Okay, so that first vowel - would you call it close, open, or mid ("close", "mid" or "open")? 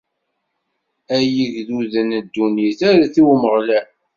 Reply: open